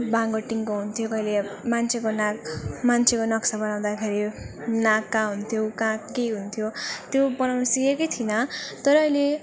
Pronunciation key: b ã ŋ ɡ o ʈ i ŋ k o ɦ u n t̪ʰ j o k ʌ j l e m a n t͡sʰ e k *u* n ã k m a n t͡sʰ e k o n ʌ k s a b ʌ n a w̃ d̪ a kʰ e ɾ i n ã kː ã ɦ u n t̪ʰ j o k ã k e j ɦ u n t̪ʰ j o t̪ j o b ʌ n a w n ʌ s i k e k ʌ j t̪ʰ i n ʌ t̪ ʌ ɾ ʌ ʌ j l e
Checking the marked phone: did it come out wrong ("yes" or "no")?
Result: yes